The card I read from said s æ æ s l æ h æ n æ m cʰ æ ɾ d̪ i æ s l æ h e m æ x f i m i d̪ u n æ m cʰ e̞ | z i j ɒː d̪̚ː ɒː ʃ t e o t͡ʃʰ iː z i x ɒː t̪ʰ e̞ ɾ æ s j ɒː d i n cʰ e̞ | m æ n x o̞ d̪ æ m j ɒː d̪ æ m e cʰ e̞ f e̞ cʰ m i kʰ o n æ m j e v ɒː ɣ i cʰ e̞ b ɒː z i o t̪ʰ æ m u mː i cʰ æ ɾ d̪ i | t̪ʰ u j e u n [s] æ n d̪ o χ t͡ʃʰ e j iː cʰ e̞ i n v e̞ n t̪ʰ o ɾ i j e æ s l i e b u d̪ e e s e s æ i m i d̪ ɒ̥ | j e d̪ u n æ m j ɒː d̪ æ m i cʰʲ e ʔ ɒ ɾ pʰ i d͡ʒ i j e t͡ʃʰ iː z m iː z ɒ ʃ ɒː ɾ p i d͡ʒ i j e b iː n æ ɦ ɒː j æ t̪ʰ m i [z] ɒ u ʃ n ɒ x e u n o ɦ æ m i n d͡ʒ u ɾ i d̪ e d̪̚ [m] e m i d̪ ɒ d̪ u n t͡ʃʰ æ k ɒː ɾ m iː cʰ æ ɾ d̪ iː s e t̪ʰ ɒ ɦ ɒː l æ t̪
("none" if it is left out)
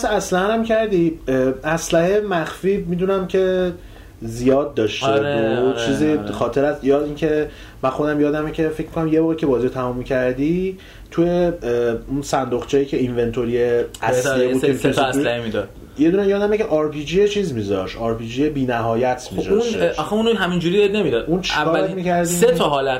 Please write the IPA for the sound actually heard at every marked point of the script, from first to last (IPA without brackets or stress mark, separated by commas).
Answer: s, z, n